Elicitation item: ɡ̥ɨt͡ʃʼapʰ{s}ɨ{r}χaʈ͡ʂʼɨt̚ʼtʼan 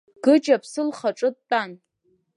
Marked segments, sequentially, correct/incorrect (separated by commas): correct, incorrect